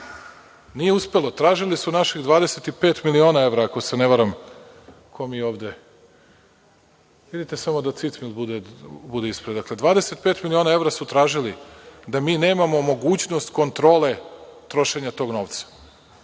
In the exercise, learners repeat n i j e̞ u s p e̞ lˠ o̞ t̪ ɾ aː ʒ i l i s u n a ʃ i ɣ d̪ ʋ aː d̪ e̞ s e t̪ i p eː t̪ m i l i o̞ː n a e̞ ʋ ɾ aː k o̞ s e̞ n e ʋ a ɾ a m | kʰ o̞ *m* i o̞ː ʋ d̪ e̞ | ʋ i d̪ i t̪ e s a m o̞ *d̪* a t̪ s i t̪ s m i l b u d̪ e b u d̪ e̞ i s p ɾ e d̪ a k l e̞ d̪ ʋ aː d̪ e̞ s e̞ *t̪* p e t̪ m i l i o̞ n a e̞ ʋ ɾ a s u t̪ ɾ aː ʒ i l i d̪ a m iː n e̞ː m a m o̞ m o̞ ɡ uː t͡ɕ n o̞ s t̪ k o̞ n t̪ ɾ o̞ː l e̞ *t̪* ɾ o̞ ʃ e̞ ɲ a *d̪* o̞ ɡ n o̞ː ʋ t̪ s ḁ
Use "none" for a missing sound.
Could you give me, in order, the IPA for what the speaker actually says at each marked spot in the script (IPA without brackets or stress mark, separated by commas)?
m, d̪, t̪, t̪, t̪